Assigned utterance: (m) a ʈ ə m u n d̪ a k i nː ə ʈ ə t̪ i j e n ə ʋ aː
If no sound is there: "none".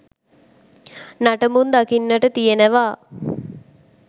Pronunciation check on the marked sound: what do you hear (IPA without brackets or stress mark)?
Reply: n